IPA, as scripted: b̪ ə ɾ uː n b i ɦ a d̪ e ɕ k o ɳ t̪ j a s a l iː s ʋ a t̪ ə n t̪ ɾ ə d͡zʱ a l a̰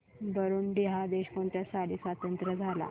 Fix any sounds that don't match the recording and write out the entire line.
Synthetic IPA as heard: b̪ ə ɾ uː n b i ɦ a d̪ e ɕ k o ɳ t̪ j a s a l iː s ʋ a t̪ ə n t̪ ɾ ə d͡zʱ a l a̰